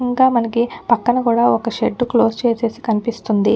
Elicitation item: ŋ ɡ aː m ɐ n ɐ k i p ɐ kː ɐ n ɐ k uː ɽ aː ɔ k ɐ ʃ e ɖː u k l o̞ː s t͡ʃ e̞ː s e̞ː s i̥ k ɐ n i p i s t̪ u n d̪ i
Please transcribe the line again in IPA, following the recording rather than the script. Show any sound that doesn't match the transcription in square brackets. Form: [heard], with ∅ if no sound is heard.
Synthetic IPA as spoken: ŋ ɡ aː m ɐ n ɐ k i p ɐ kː ɐ n ɐ k uː ɽ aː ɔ k ɐ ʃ e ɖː u k l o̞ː s t͡ʃ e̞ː s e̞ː s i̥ k ɐ n i p i s t̪ u n d̪ i